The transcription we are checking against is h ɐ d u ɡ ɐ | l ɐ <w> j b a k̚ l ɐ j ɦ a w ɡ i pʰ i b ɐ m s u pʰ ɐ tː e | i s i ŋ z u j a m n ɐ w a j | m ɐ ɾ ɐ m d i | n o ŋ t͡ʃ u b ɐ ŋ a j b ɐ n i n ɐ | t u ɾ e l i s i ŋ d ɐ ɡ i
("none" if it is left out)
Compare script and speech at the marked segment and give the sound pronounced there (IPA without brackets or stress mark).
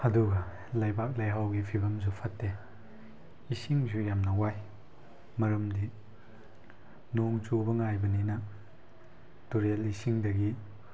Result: none